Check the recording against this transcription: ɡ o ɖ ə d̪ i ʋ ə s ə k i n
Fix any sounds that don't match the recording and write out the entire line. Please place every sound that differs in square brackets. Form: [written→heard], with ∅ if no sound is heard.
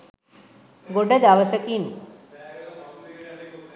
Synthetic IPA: ɡ o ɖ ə d̪ [i→a] ʋ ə s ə k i n